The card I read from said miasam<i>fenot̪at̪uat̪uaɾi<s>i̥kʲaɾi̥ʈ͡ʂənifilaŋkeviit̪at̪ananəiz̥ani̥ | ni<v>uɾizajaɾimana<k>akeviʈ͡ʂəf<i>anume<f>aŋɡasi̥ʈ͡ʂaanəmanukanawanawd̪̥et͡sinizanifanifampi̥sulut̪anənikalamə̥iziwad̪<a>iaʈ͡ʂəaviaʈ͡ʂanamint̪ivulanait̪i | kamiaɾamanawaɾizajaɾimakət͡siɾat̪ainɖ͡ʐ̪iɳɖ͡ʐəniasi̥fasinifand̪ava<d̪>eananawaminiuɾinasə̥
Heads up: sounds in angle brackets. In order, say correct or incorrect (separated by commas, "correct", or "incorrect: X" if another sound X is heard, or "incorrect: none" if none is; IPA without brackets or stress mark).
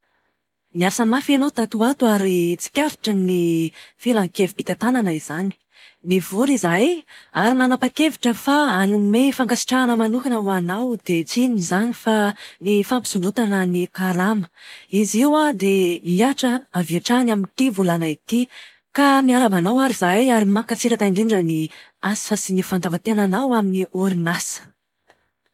incorrect: a, incorrect: t͡s, correct, incorrect: p, incorrect: a, correct, incorrect: e, incorrect: t̪